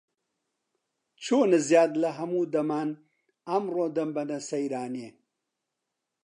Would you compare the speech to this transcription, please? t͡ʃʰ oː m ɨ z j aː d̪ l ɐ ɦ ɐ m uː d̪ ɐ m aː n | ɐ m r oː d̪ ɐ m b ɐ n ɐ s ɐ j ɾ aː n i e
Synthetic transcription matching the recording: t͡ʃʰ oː n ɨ z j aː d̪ l ɐ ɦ ɐ m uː d̪ ɐ m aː n | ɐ m r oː d̪ ɐ m b ɐ n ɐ s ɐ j ɾ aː n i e